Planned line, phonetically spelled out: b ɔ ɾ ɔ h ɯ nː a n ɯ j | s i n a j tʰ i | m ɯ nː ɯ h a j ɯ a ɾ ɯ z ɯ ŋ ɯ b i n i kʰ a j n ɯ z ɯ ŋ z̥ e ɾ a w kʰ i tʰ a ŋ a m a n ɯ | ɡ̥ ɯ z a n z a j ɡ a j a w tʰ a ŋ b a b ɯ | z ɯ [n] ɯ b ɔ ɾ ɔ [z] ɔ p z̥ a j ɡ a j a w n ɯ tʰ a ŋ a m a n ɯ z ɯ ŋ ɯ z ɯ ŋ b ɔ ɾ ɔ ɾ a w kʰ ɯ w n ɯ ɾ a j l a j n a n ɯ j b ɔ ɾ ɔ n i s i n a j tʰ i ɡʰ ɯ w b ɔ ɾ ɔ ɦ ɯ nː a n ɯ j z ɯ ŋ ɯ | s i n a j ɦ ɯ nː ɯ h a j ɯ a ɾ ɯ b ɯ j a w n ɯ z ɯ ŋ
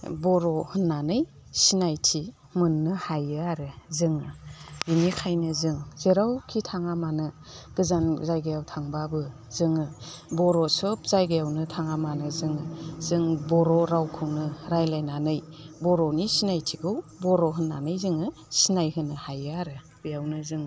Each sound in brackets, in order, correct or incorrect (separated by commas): incorrect, incorrect